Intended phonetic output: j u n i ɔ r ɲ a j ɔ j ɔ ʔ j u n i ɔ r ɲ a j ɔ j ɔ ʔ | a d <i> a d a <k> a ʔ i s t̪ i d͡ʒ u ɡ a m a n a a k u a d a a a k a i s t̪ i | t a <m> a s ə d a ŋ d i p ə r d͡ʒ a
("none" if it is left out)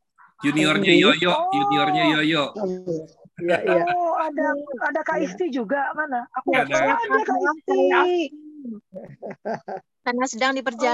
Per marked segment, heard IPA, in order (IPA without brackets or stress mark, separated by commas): a, k, n